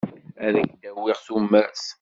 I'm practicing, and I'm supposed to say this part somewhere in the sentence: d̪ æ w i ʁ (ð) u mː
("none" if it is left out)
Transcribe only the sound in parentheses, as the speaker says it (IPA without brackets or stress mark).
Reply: θ